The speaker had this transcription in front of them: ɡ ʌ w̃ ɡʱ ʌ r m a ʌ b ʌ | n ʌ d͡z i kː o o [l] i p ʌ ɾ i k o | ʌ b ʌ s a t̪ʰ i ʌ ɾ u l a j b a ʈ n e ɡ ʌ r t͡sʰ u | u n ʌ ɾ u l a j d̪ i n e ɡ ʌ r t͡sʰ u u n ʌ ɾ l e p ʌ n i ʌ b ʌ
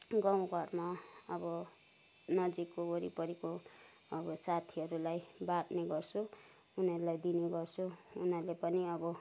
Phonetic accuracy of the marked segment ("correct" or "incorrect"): incorrect